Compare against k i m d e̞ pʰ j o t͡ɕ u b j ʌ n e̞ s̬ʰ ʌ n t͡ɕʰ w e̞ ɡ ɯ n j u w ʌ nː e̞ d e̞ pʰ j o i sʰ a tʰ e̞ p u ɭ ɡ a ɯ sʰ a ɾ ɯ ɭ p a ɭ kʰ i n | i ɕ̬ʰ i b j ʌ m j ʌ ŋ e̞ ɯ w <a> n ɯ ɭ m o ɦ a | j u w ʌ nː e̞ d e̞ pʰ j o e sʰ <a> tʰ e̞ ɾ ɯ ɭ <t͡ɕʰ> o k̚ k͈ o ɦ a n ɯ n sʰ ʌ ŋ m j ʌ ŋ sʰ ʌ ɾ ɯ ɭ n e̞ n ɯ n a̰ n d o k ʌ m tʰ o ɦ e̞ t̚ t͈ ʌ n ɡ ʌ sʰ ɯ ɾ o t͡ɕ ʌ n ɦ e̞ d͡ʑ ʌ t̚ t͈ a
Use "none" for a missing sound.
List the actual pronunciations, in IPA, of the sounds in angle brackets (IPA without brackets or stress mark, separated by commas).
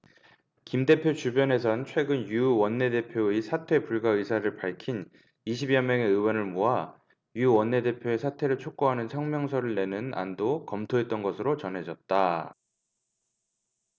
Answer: ʌ, a, t͡ɕʰ